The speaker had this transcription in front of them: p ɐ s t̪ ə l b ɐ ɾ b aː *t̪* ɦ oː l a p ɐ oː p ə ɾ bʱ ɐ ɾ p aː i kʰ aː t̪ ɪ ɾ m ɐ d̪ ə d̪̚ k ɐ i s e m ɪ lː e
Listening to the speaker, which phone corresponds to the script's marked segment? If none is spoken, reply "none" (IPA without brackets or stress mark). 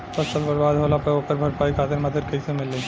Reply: d̪